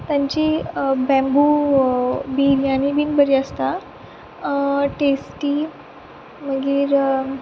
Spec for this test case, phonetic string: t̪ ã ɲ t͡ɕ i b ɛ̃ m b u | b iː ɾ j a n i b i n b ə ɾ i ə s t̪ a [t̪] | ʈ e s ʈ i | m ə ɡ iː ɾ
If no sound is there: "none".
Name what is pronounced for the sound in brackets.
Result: none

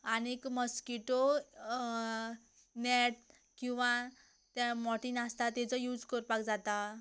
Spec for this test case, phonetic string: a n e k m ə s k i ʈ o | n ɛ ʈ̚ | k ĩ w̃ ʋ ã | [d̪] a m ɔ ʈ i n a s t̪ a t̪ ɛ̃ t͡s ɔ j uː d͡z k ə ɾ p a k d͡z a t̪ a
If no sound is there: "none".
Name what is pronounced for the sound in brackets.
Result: t̪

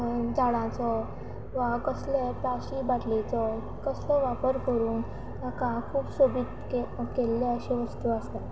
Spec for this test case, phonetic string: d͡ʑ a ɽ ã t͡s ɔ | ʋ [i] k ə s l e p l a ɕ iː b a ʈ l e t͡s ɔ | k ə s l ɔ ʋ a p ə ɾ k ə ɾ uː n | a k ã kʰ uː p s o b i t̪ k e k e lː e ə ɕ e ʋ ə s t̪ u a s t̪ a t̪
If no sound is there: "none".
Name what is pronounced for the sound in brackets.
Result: a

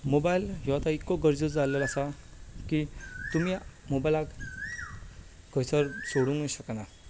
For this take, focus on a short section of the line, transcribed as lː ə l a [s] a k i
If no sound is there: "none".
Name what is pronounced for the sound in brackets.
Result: s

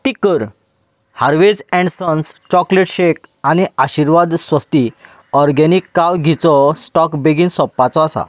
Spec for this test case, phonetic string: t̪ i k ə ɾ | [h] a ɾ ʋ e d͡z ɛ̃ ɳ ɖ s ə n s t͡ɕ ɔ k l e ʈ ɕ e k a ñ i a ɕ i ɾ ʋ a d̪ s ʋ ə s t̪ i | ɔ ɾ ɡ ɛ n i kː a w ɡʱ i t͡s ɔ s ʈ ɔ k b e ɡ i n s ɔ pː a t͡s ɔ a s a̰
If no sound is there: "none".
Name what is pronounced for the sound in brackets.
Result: h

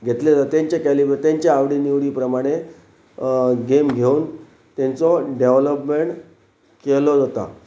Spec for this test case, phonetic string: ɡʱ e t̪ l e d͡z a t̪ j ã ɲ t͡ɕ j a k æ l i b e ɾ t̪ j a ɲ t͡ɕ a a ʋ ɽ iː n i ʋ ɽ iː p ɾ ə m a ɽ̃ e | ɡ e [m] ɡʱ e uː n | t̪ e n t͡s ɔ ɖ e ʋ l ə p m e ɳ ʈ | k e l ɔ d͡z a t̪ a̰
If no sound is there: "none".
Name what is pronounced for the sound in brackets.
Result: m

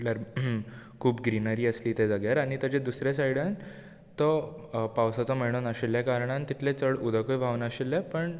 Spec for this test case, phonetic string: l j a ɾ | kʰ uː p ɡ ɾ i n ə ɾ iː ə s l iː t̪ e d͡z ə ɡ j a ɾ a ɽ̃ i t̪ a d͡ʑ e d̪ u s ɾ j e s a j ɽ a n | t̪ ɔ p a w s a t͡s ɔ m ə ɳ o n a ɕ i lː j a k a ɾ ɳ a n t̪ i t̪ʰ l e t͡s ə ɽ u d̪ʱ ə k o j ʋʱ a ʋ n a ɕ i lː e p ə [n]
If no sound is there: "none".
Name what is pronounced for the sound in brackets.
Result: ɳ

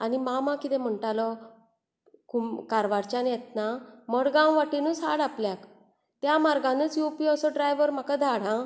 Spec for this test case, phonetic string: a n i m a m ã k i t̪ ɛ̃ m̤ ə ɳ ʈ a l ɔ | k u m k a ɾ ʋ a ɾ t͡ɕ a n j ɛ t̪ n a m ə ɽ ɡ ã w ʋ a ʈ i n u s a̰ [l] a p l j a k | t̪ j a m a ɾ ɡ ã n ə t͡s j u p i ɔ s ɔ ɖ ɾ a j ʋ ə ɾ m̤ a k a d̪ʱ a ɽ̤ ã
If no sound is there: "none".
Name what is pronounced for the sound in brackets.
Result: ɽ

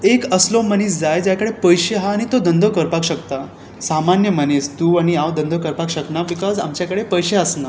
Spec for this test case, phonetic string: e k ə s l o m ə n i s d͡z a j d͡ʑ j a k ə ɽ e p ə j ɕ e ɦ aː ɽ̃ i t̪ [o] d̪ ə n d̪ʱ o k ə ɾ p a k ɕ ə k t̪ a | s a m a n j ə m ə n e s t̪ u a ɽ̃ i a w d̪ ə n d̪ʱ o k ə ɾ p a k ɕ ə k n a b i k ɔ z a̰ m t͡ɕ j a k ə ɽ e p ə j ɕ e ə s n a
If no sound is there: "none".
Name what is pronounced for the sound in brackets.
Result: o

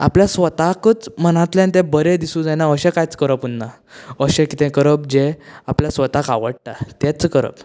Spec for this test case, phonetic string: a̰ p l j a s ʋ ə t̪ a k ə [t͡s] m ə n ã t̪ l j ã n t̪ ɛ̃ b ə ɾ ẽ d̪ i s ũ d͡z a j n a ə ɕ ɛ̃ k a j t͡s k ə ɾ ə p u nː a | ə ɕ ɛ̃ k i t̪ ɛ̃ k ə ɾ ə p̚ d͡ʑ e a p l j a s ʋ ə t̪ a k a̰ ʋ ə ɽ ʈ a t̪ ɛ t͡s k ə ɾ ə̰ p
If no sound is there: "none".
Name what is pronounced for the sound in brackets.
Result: t͡s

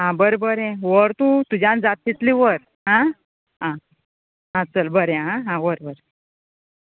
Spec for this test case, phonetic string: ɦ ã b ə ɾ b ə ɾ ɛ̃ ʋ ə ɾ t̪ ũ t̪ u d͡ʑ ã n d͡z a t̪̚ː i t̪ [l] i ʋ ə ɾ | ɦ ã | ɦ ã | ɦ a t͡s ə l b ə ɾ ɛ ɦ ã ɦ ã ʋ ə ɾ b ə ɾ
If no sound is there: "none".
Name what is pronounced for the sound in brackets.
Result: l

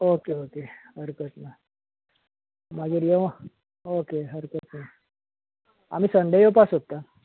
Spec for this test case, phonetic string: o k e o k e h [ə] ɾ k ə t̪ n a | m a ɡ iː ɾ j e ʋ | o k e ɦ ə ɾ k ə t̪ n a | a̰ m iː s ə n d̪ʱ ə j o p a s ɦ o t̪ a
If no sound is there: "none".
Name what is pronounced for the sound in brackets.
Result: ə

